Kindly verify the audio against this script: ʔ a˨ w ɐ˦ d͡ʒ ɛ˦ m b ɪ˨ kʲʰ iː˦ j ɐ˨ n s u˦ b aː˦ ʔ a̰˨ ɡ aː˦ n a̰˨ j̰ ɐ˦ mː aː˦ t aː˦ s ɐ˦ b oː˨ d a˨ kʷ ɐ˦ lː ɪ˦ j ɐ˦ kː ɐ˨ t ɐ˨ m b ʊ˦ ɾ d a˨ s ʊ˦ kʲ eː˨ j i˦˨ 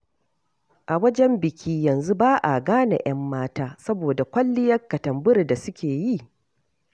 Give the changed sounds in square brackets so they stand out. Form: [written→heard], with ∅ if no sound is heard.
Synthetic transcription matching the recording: ʔ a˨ w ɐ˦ d͡ʒ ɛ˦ m b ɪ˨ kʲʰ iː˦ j ɐ˨ n [s→z] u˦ b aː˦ ʔ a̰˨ ɡ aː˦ n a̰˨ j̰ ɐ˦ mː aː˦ t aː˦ s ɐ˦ b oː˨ d a˨ kʷ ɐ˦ lː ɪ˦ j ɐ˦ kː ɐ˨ t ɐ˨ m b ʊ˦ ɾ d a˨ s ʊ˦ kʲ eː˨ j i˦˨